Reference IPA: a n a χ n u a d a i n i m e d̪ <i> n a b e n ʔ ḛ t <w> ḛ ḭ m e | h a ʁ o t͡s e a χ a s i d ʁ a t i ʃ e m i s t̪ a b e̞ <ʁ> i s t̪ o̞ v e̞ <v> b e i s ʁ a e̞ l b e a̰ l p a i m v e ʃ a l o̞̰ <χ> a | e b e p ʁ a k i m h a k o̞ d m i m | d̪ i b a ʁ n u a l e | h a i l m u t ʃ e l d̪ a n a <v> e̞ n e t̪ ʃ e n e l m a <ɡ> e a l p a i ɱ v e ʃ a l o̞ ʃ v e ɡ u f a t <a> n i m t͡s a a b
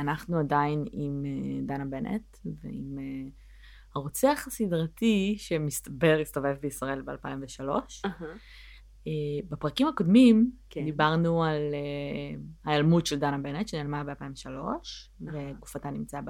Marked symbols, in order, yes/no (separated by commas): no, no, yes, yes, no, no, no, yes